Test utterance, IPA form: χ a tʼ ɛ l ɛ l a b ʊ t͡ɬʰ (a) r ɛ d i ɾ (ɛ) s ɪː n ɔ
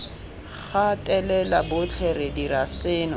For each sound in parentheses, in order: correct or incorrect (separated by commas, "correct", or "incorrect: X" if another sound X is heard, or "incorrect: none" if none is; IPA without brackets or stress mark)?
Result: incorrect: ɛ, incorrect: a